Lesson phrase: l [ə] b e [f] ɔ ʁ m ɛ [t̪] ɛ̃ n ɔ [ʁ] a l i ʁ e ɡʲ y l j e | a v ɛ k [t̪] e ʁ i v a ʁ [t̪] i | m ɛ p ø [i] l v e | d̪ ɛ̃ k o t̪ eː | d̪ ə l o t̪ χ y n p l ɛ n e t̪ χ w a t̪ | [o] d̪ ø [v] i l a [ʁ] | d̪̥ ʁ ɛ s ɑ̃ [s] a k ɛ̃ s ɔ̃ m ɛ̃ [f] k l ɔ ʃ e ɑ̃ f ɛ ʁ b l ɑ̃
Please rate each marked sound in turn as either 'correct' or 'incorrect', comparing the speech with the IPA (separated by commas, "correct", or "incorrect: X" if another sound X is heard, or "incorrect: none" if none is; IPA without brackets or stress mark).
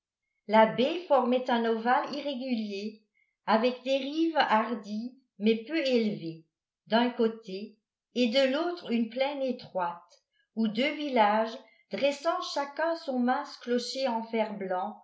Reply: incorrect: a, correct, correct, incorrect: v, incorrect: d̪, incorrect: d̪, incorrect: e, incorrect: u, correct, incorrect: ʒ, incorrect: ʃ, incorrect: s